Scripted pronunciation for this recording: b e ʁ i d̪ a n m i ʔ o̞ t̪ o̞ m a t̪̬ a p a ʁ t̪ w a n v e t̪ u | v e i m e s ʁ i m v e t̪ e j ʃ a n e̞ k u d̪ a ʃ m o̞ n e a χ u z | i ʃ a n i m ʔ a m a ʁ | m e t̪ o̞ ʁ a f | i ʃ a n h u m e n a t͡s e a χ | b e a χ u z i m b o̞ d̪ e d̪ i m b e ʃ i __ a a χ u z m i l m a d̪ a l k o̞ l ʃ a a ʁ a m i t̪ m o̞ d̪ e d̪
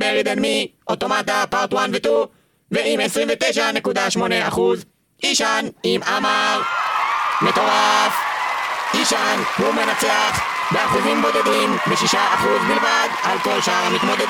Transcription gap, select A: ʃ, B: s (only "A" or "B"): A